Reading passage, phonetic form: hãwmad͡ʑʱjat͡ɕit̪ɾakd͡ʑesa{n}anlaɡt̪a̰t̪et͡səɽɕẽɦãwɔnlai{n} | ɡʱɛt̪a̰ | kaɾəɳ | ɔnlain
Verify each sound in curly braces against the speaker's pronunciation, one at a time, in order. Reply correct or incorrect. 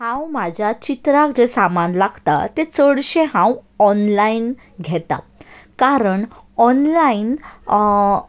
incorrect: m, correct

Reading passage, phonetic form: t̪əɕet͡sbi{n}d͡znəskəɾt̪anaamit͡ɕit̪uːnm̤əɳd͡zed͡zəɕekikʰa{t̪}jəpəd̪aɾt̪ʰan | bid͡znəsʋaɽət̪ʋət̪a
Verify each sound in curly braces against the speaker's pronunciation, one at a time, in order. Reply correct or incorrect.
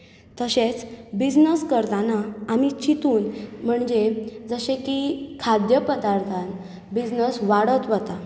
incorrect: none, incorrect: d̪

